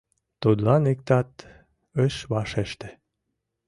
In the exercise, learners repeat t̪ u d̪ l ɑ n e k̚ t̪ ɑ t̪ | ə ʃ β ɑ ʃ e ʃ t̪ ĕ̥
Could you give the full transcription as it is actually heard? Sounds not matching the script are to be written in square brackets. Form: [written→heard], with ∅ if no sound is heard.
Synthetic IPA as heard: t̪ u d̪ l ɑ n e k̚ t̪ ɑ t̪ | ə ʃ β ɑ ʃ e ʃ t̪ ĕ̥